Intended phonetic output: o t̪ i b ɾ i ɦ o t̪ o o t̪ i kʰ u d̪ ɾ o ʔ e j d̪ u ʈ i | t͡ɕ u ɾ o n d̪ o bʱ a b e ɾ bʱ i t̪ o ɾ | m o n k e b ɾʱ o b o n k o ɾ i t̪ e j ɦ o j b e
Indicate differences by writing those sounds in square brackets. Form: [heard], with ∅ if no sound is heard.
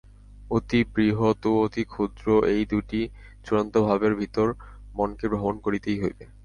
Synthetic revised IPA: o t̪ i b ɾ i ɦ o t̪ o o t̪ i kʰ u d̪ ɾ o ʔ e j d̪ u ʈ i | t͡ɕ u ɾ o n [t̪] o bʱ a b e ɾ bʱ i t̪ o ɾ | m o n k e b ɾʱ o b o n k o ɾ i t̪ e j ɦ o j b e

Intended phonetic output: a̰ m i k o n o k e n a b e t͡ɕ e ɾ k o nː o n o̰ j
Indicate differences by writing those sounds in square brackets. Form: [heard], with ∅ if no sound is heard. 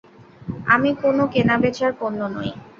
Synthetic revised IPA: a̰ m i k o n o k e n a b e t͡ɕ [a] ɾ k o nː o n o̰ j

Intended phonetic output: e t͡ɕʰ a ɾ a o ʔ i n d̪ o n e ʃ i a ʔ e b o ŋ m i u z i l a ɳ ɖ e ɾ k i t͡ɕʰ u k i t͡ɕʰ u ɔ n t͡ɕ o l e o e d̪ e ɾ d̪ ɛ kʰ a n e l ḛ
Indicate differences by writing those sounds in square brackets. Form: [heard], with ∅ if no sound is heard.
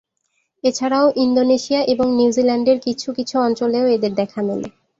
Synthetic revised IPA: e t͡ɕʰ a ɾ a o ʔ i n d̪ o n e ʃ i a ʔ e b o ŋ [n] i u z i l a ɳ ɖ e ɾ k i t͡ɕʰ u k i t͡ɕʰ u ɔ n t͡ɕ o l e o e d̪ e ɾ d̪ ɛ kʰ a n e l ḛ

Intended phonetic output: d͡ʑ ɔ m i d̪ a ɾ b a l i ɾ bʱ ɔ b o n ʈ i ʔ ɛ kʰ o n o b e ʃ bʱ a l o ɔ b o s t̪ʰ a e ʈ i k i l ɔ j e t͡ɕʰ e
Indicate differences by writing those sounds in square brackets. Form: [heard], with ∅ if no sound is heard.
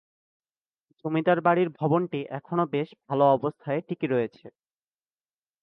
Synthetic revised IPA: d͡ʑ [o] m i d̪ a ɾ b a [ɽ] i ɾ bʱ ɔ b o n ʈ i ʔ ɛ kʰ o n o b e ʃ bʱ a l o ɔ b o s t̪ʰ a e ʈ i k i [ɾ] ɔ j e t͡ɕʰ e

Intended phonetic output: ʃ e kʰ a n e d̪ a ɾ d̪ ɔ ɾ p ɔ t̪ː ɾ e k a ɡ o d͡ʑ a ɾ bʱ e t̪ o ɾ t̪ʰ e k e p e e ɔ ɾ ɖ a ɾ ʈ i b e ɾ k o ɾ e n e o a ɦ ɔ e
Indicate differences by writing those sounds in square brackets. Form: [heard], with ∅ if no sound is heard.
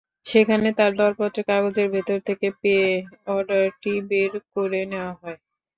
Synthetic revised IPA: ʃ e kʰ a n e [t̪] a ɾ d̪ ɔ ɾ p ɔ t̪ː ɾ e k a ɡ o d͡ʑ [e] ɾ bʱ e t̪ o ɾ t̪ʰ e k e p e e ɔ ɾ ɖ a ɾ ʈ i b e ɾ k o ɾ e n e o a ɦ ɔ e

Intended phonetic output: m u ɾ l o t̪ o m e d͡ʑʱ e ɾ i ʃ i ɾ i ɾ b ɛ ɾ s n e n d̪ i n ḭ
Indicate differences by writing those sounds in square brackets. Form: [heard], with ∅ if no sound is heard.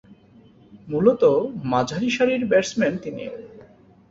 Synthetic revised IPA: m u [∅] l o t̪ o m [a] d͡ʑʱ [a] ɾ i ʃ [a] ɾ i ɾ b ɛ ɾ s [m] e n [t̪] i n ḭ

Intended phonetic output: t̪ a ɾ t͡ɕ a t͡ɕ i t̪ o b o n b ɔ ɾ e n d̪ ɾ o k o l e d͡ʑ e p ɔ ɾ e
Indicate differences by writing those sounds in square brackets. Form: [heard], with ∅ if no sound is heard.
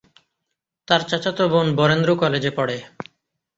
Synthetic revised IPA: t̪ a ɾ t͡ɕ a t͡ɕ [a] t̪ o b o n b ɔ ɾ e n d̪ ɾ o k [ɔ] l e d͡ʑ e p ɔ [ɽ] e

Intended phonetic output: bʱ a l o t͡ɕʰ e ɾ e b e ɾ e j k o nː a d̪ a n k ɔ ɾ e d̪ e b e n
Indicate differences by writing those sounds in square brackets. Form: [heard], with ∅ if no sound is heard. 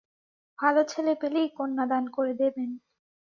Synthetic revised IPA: bʱ a l o t͡ɕʰ e [l] e [p] e [l] e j k o nː a d̪ a n k [o] ɾ e d̪ e b e n

